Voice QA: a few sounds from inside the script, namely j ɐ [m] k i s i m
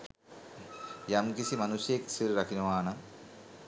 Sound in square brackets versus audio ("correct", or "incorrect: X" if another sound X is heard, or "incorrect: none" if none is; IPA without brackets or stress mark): correct